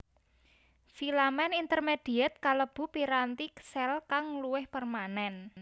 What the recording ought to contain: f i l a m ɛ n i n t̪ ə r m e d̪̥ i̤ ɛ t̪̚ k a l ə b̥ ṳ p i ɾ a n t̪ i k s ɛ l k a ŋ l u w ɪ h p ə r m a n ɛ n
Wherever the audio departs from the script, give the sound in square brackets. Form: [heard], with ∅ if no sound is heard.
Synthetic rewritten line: f i l a m ɛ n i n t̪ ə r m e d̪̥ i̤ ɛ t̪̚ k a l ə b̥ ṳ p i ɾ a n t̪ i k s ɛ l k a ŋ l u w ɪ h p ə r m a n ɛ n